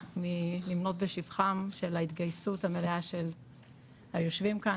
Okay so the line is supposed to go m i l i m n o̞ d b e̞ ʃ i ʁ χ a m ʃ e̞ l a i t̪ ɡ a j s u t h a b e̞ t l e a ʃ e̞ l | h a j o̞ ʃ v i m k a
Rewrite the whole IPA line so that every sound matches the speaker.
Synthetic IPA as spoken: m i l i m n o̞ t b e̞ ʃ i v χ a m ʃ e̞ l a i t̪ ɡ a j s u t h a m e̞ l e a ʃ e̞ l | h a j o̞ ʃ v i m k a

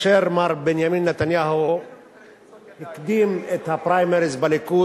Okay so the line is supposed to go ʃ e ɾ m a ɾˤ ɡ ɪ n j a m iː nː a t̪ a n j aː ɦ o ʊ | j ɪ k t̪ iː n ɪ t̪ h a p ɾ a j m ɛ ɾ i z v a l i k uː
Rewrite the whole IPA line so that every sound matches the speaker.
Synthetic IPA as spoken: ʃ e ɾ m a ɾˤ b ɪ n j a m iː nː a t̪ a n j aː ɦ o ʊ | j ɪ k d̪ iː m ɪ t̪ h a p ɾ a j m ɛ ɾ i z b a l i k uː

